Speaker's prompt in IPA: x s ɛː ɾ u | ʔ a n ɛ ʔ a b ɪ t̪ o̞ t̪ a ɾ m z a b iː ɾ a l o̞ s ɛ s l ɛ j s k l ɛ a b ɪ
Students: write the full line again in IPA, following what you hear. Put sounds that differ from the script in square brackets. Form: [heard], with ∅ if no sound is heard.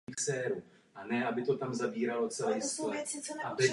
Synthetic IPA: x s ɛː ɾ u | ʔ a n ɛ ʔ a b ɪ t̪ o̞ t̪ a [∅] m z a b iː ɾ a l o̞ [t͡s] ɛ [∅] l ɛ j s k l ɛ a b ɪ